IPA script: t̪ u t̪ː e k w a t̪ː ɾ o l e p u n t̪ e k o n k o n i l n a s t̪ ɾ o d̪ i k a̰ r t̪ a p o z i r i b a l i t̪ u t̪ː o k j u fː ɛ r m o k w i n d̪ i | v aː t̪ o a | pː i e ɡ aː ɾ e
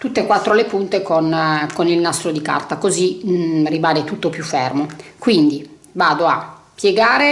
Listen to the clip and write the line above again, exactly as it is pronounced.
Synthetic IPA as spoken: t̪ u t̪ː e k w a t̪ː ɾ o l e p u n t̪ e k o n k o n i l n a s t̪ ɾ o d̪ i k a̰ r t̪ a k o z i r i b a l e t̪ u t̪ː o p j u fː ɛ r m o k w i n d̪ i | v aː d̪ o a | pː j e ɡ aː ɾ e